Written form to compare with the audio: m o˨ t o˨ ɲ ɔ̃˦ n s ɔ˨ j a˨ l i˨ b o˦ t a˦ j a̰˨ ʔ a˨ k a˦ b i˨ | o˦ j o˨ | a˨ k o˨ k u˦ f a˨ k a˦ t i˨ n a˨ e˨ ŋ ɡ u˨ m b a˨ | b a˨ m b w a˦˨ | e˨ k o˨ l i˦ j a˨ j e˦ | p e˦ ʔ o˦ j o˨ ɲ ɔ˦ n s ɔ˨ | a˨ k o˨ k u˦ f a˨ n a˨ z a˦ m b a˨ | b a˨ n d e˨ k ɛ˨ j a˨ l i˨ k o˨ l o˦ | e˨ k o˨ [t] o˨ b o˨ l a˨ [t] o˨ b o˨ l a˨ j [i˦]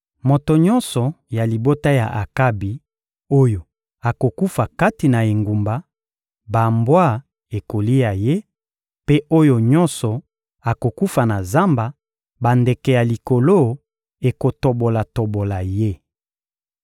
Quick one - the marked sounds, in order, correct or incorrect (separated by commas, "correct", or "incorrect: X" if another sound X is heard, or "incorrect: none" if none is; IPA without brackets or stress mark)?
correct, correct, incorrect: e˦